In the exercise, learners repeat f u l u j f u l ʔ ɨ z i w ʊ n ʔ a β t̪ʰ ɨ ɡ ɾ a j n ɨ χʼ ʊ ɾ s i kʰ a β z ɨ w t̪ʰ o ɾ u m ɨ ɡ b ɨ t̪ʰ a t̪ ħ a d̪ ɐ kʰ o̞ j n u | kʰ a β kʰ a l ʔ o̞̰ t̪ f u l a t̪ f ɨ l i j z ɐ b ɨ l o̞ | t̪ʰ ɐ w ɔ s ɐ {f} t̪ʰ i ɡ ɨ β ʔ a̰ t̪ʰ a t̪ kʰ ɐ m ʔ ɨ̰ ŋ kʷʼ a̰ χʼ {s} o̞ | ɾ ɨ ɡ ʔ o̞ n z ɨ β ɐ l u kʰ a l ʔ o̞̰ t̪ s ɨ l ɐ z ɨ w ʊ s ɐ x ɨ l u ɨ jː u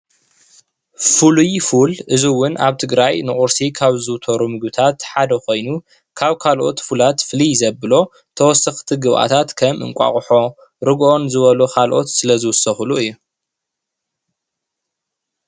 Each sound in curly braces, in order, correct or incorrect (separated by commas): incorrect, incorrect